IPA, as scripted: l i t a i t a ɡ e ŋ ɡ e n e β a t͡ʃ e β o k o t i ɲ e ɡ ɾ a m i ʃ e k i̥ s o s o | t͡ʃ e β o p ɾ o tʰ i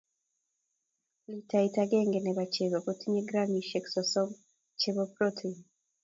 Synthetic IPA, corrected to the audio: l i t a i t a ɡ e ŋ ɡ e n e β a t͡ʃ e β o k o t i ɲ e ɡ ɾ a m i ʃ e k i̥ s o s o | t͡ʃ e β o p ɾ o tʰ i